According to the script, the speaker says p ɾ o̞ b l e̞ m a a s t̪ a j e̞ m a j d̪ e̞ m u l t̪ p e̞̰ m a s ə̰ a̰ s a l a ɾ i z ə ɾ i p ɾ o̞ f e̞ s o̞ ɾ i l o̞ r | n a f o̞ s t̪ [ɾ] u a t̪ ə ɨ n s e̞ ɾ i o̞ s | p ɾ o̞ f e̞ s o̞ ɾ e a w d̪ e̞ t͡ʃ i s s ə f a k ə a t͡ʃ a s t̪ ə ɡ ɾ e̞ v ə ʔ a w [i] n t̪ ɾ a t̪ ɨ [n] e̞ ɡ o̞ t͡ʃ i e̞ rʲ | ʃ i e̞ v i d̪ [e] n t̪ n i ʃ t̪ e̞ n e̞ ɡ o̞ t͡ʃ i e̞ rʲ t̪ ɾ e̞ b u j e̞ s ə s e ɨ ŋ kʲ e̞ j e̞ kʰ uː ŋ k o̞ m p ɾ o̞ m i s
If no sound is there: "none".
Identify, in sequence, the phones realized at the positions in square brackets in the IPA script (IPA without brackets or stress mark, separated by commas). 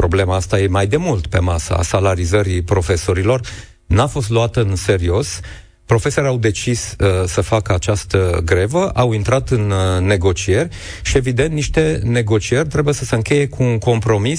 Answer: l, i, nː, e